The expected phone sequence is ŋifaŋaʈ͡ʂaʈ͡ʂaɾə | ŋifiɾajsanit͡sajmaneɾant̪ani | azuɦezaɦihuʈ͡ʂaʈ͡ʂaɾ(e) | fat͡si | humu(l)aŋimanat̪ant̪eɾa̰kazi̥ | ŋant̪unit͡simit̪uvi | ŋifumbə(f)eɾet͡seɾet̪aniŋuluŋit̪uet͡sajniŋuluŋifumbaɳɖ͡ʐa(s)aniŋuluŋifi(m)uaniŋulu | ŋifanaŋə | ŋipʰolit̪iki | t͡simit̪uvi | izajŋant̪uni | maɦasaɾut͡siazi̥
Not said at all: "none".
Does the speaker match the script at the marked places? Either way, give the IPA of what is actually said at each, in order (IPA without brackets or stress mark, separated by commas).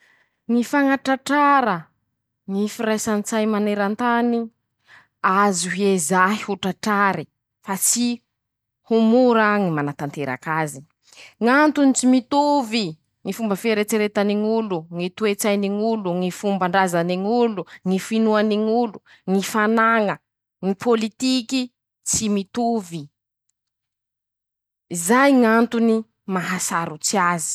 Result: i, ɾ, f, z, n